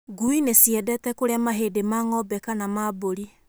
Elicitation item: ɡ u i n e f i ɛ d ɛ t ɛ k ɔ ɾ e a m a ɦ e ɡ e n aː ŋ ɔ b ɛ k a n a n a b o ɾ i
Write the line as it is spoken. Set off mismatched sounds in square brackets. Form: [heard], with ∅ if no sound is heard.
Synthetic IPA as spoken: ɡ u i n e [s] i ɛ d ɛ t ɛ k [o] ɾ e a m a ɦ e [d] e [m] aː ŋ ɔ b ɛ k a n a [m] a b o ɾ i

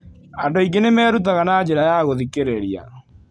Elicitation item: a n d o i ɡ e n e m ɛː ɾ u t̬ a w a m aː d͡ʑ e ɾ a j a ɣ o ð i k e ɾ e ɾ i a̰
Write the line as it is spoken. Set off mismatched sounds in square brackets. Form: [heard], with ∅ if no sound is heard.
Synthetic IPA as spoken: a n d o i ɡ e n e m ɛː ɾ u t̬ a [ɣ] a [n] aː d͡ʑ e ɾ a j a ɣ o ð i k e ɾ e ɾ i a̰

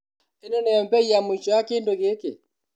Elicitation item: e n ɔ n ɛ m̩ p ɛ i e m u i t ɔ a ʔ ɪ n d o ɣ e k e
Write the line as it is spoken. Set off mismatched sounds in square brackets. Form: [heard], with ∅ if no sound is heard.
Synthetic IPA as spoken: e n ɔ n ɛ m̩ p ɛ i [a] m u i [t͡ʃ] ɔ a [k] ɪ n d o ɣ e k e

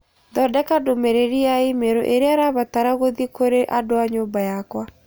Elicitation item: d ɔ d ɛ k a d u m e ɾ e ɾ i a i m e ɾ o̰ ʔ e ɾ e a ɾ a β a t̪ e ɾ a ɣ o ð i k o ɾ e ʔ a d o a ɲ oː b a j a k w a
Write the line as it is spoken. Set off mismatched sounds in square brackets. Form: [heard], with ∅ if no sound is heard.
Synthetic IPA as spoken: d ɔ d ɛ k a d [o] m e ɾ e ɾ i a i m e ɾ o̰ ʔ e ɾ e a ɾ a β a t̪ [a] ɾ a ɣ o ð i k o ɾ e ʔ a d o a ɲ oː b a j a k w a

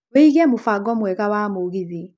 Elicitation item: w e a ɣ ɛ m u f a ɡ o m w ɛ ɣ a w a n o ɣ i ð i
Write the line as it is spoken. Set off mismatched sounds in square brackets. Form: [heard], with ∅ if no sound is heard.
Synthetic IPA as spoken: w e [i] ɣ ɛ m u f a ɡ [ɔ] m w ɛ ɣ a w a [m] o ɣ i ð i

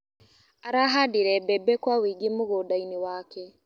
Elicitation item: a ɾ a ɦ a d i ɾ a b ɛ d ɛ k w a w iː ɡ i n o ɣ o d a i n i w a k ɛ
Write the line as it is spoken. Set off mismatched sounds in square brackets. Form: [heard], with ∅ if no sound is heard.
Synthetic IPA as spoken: a ɾ a ɦ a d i ɾ [ɛ] b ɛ [b] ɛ k w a w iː ɡ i [m] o ɣ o d a i n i w a k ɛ

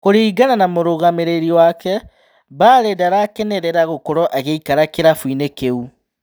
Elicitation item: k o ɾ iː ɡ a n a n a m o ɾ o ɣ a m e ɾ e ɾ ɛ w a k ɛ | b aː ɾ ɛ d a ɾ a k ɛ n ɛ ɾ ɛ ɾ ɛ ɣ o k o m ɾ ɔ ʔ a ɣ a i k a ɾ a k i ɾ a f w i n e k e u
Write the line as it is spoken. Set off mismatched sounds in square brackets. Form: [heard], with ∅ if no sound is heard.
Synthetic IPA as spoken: k o ɾ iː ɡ a n a n a m o ɾ o ɣ a m e ɾ e ɾ [i] w a k ɛ | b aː ɾ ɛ d a ɾ a k ɛ n ɛ ɾ ɛ ɾ [a] ɣ o k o [∅] ɾ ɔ ʔ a ɣ [e] i k a ɾ a k [e] ɾ a f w i n e k e u

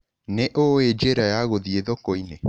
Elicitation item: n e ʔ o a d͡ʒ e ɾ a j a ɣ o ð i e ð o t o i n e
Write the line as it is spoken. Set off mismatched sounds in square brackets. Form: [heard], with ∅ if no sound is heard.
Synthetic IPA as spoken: n e ʔ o [e] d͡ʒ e ɾ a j a ɣ o ð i e ð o [k] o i n e

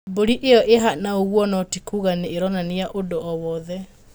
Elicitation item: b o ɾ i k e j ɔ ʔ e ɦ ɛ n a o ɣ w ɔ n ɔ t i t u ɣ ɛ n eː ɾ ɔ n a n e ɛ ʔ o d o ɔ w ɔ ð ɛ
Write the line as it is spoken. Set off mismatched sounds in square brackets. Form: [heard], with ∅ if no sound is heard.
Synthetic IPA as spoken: b o ɾ i [ʔ] e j ɔ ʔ e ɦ [a] n a o ɣ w ɔ n ɔ t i [k] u ɣ [a] n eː ɾ ɔ n a n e [a] ʔ o d o ɔ w ɔ ð ɛ

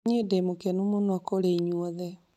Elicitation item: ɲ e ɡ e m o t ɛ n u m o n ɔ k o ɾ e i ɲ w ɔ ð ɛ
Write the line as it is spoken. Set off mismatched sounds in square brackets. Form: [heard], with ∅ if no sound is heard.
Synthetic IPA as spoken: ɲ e [d] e m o [k] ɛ n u m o n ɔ k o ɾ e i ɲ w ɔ ð ɛ

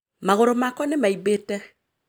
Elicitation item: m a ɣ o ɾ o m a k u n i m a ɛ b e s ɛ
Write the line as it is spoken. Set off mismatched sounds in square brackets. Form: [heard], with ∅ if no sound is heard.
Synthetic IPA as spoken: m a ɣ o ɾ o m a k [ɔ] n [e] m a [i] b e [t] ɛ

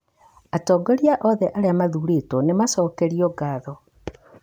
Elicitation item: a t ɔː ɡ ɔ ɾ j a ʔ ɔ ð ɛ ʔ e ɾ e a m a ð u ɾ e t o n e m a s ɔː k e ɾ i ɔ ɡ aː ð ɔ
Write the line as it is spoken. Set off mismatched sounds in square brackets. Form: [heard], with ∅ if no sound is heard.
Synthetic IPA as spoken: a t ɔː ɡ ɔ ɾ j a ʔ ɔ ð ɛ ʔ [a] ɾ e a m a ð u ɾ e t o n e m a s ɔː k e ɾ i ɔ ɡ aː ð ɔ

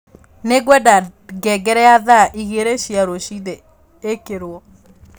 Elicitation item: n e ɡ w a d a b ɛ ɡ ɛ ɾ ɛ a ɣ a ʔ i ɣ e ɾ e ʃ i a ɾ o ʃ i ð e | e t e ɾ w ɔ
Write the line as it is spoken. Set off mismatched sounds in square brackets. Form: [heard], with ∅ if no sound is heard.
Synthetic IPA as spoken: n e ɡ w [ɛ] d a [ɡ] ɛ ɡ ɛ ɾ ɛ a [ð] a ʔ i ɣ e ɾ e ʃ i a ɾ o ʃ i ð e | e [k] e ɾ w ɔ

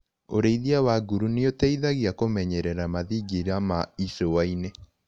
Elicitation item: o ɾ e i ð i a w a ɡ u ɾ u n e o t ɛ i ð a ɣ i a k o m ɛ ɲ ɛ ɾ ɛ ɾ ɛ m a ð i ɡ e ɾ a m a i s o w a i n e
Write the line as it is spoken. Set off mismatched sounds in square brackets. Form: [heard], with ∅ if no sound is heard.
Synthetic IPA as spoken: o ɾ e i ð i a w a ɡ u ɾ u n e o t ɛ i ð a ɣ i a k o m ɛ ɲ ɛ ɾ ɛ ɾ [a] m a ð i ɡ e ɾ a m a i s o w a i n e

